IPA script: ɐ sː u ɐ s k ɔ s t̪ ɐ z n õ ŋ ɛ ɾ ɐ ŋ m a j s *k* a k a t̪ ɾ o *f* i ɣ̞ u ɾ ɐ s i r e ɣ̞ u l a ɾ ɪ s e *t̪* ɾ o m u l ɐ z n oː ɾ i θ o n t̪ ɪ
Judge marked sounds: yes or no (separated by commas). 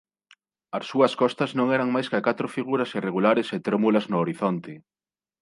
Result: yes, yes, yes